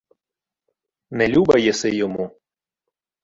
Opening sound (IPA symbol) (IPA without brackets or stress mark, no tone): n